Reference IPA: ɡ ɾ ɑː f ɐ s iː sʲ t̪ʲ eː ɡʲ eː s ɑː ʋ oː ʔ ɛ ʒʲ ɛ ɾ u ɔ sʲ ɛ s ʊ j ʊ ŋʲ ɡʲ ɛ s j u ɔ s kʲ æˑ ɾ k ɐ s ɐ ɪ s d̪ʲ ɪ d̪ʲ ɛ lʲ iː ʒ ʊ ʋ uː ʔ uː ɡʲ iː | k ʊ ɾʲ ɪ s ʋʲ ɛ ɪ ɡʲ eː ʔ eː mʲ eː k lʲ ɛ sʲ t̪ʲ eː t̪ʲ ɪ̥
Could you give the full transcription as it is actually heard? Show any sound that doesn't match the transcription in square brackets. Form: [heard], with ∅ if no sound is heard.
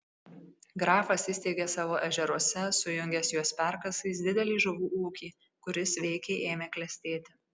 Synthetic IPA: ɡ ɾ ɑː f ɐ s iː sʲ t̪ʲ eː ɡʲ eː s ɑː ʋ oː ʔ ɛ ʒʲ ɛ ɾ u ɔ sʲ ɛ s ʊ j ʊ ŋʲ ɡʲ ɛ s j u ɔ s [pʲ] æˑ ɾ k ɐ s ɐ ɪ s d̪ʲ ɪ d̪ʲ ɛ lʲ iː ʒ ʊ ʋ uː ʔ uː [kʲ] iː | k ʊ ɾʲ ɪ s ʋʲ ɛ ɪ [kʲ] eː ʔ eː mʲ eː k lʲ ɛ sʲ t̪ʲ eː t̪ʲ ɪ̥